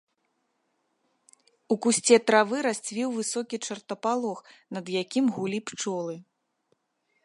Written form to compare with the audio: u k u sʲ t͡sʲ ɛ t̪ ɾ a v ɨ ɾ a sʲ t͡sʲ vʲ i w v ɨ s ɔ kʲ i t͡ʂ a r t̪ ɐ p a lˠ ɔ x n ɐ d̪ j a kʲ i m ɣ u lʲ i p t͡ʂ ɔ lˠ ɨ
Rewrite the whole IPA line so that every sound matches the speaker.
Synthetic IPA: u k u sʲ t͡sʲ ɛ t̪ ɾ a v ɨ ɾ a sʲ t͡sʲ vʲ i w v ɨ s ɔ kʲ i t͡ʂ ɐ r t̪ ɐ p a lˠ ɔ x n ɐ d̪ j a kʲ i m ɣ u lʲ i p t͡ʂ ɔ lˠ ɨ